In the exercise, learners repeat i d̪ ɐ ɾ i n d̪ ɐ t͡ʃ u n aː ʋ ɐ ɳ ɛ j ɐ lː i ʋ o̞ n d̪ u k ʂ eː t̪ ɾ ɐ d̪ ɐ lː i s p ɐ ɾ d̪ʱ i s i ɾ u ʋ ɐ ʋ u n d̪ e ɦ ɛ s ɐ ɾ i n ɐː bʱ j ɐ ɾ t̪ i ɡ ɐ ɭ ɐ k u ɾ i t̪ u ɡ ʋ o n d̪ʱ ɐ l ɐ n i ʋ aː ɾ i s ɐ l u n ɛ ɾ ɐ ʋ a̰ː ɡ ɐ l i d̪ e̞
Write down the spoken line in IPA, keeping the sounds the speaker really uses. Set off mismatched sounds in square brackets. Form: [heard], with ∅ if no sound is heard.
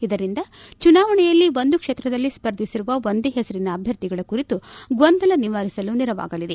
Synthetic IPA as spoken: i d̪ ɐ ɾ i n d̪ ɐ t͡ʃ u n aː ʋ ɐ ɳ ɛ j ɐ lː i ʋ o̞ n d̪ u k ʂ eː t̪ ɾ ɐ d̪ ɐ lː i s p ɐ ɾ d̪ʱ i s i ɾ u ʋ ɐ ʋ [o] n d̪ e ɦ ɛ s ɐ ɾ i n ɐː bʱ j ɐ ɾ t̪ i ɡ ɐ ɭ ɐ k u ɾ i t̪ u ɡ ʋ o n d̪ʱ ɐ l ɐ n i ʋ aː ɾ i s ɐ l u n [i] ɾ ɐ ʋ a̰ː ɡ ɐ l i d̪ e̞